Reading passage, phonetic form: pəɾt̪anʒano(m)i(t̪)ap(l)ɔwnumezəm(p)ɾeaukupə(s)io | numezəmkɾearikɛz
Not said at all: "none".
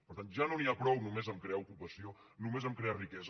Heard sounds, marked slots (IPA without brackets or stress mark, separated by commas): n, none, ɾ, k, s